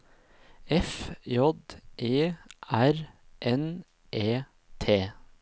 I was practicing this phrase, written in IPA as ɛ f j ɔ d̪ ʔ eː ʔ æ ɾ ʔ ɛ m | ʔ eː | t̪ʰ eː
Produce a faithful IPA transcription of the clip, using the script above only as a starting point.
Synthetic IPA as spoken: ɛ f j ɔ d̪ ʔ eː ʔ æ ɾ ʔ ɛ n | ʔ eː | t̪ʰ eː